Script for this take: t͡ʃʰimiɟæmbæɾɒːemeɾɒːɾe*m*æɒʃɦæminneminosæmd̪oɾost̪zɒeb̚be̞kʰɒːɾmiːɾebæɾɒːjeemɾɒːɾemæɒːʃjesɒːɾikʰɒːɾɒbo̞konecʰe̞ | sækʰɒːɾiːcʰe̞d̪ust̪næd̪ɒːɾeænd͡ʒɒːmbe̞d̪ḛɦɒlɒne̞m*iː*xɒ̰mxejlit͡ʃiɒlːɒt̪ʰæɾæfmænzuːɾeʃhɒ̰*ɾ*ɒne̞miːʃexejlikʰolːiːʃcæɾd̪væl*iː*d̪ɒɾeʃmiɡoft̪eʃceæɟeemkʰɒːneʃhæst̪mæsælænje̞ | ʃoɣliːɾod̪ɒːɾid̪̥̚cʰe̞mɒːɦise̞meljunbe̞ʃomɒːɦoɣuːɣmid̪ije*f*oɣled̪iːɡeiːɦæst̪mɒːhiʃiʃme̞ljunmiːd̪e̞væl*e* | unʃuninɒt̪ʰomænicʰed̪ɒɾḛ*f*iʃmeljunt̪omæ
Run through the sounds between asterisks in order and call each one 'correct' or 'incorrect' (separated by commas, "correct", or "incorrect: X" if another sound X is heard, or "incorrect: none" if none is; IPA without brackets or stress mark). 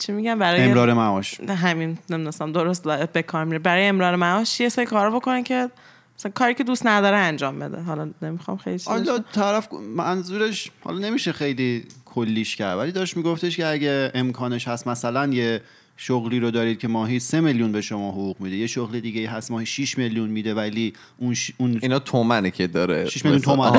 correct, incorrect: i, incorrect: l, incorrect: i, incorrect: ʃ, incorrect: i, incorrect: ʃ